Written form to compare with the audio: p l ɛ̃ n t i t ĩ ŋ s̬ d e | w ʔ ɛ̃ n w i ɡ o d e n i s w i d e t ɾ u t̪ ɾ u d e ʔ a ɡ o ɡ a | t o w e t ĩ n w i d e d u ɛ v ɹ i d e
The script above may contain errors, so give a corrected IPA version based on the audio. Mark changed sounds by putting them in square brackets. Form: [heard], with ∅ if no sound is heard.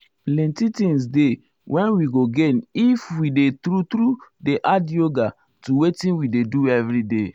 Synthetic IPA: p l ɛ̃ n t i t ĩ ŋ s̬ d e | w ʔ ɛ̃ n w i ɡ o [ɡ] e n i [f] w i d e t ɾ u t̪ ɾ u d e ʔ a [d] o ɡ a | t [u] w e t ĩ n w i d e d u ɛ v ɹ i d e